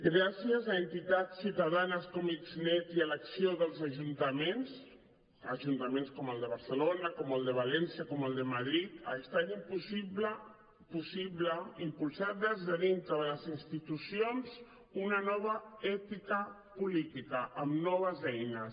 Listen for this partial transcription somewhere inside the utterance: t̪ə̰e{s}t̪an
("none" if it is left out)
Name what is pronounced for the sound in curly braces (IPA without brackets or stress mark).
s